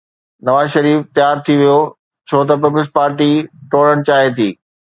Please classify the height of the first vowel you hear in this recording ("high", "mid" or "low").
low